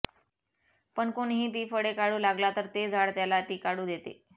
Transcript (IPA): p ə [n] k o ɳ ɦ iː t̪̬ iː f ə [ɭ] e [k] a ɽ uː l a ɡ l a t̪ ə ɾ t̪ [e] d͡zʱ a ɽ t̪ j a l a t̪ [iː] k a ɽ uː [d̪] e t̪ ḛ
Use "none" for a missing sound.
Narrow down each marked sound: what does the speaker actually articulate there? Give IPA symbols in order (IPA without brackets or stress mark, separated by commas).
ɳ, ɽ, k, e, iː, d̪